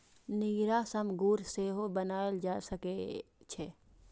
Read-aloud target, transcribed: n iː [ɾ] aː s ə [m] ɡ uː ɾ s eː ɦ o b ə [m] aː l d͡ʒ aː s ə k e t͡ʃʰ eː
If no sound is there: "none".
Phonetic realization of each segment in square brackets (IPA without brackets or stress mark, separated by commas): ɾ, m, n